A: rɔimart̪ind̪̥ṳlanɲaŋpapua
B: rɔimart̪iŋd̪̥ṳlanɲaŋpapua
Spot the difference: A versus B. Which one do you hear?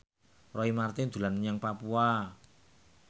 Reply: A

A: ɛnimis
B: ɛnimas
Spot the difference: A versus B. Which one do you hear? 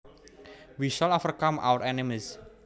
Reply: A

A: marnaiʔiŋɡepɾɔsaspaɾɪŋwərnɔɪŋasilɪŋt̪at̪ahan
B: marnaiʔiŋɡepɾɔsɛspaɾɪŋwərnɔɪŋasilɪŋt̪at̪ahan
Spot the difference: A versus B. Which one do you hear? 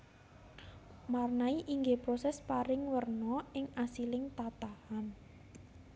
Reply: B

